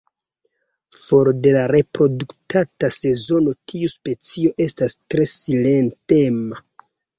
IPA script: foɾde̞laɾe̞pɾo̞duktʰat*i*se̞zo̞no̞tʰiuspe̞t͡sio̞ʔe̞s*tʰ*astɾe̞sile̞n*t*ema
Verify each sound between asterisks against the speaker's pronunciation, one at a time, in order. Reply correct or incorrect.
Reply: incorrect: a, incorrect: t, correct

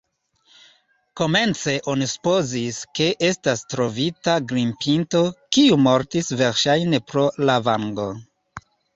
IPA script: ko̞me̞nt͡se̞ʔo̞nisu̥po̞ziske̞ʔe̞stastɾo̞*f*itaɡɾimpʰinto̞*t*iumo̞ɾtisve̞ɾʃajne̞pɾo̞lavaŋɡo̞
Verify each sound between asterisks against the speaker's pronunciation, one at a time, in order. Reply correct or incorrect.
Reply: incorrect: v, incorrect: k

